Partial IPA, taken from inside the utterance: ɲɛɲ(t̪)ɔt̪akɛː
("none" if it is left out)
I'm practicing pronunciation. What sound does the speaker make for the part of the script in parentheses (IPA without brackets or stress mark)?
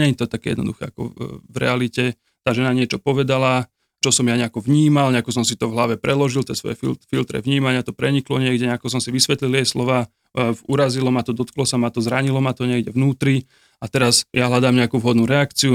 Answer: t̪